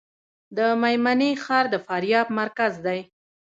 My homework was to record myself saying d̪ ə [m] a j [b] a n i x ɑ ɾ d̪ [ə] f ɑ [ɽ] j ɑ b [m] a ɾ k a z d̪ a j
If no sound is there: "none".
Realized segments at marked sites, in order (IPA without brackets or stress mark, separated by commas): m, m, ə, ɾ, m